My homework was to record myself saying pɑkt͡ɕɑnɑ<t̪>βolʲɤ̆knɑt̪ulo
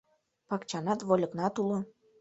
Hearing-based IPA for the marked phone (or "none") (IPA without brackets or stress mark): t̪